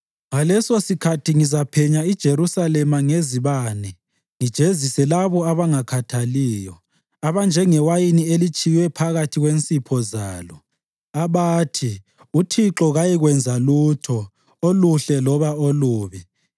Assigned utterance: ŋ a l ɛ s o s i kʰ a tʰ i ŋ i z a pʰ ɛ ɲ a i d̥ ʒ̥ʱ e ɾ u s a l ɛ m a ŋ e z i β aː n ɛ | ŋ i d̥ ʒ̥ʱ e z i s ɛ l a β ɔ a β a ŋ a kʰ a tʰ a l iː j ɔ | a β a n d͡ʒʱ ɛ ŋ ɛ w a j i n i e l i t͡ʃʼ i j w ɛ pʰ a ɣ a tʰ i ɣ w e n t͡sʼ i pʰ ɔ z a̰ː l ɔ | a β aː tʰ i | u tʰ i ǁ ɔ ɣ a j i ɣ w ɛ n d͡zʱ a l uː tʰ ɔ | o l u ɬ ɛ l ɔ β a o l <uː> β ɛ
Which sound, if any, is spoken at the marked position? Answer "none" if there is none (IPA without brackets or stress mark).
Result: uː